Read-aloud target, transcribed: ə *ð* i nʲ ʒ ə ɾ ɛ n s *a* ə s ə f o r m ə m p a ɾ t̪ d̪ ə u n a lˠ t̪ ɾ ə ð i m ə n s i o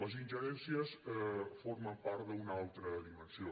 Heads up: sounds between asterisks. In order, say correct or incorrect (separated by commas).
incorrect, incorrect